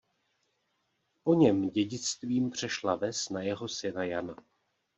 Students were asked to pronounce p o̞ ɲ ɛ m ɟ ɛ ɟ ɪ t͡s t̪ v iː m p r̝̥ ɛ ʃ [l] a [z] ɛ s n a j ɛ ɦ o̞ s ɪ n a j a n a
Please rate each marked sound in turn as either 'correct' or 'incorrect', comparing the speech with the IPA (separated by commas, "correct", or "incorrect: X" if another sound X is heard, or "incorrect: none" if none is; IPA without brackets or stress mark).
correct, incorrect: v